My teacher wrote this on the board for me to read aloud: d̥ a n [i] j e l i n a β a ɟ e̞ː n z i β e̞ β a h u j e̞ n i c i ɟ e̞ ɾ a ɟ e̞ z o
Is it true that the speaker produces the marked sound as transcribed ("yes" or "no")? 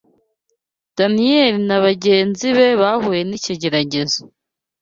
yes